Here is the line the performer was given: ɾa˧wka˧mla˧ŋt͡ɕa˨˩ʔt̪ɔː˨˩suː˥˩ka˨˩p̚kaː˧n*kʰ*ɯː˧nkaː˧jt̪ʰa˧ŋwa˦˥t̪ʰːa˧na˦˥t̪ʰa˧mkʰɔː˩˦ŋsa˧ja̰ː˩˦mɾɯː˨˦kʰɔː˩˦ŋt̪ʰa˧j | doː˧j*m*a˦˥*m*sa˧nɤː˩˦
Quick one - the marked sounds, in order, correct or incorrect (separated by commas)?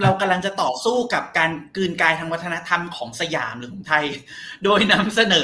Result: incorrect, incorrect, correct